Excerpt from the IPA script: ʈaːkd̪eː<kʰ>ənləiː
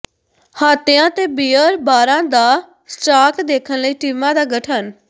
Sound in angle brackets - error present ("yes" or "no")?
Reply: no